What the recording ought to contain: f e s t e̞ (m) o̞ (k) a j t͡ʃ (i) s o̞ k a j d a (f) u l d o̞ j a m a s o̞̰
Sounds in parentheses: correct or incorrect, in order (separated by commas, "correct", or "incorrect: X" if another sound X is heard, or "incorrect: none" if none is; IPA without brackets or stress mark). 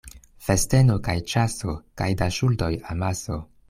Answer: incorrect: n, correct, incorrect: a, incorrect: ʃ